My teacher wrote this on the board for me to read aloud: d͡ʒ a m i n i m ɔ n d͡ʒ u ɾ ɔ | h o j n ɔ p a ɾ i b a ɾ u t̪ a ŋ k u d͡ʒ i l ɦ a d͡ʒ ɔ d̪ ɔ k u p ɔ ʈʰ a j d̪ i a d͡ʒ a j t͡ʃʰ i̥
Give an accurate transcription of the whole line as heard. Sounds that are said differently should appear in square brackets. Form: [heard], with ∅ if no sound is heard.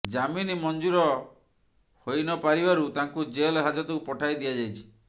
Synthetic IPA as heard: d͡ʒ a m i n i m ɔ n d͡ʒ u ɾ ɔ | h o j n ɔ p a ɾ i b a ɾ u t̪ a ŋ k u d͡ʒ [e] l ɦ a d͡ʒ ɔ [t̪] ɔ k u p ɔ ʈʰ a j d̪ i a d͡ʒ a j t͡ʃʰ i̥